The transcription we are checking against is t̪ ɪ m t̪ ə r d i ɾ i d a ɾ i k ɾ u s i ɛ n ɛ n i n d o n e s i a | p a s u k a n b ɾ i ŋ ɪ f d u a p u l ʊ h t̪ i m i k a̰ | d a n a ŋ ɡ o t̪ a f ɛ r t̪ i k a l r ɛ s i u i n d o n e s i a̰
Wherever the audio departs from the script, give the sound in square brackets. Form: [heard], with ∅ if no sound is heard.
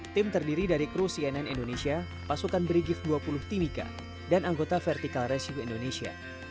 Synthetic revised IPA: t̪ ɪ m t̪ ə r d i ɾ i d a ɾ i k ɾ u s i ɛ n ɛ n i n d o n e s i a | p a s u k a n b ɾ i [ɡ] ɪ f d u a p u l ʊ h t̪ i m i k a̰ | d a n a ŋ ɡ o t̪ a f ɛ r t̪ i k a l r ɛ s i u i n d o n e s i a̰